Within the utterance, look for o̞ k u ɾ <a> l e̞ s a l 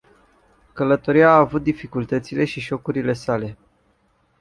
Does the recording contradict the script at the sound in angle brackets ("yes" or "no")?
yes